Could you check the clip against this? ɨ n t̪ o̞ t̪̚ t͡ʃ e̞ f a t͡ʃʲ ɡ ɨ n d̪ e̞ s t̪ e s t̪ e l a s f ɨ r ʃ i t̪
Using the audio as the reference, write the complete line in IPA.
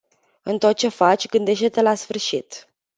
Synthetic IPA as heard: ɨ n t̪ o̞ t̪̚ t͡ʃ e̞ f a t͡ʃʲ ɡ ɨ n d̪ e̞ ʃ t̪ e t̪ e l a s f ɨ r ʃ i t̪